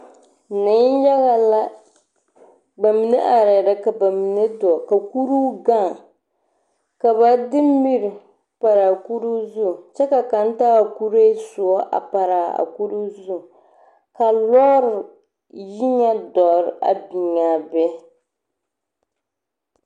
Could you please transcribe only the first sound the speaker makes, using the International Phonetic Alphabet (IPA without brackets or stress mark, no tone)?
n